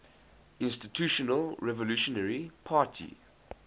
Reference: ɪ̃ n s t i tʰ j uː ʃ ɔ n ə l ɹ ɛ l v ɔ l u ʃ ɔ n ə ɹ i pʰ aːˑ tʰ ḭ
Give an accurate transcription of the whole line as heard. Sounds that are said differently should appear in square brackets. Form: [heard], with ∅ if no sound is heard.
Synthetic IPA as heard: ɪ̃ n s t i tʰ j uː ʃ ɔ n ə l ɹ ɛ [∅] v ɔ l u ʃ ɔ n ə ɹ i pʰ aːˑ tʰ ḭ